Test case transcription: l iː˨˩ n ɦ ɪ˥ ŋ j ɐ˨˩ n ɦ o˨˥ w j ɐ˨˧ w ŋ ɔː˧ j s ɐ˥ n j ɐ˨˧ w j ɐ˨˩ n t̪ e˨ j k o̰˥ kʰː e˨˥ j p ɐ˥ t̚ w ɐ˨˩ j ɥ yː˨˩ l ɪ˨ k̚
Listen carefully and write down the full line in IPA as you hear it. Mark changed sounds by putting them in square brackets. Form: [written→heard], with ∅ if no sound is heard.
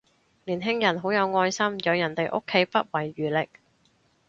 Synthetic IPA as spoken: l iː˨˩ n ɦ ɪ˥ ŋ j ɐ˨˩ n ɦ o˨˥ w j ɐ˨˧ w ŋ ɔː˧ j s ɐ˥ [n→m] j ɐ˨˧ w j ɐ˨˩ n t̪ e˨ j [k→ʔ] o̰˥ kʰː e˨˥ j p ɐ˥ t̚ w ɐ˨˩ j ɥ yː˨˩ l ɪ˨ k̚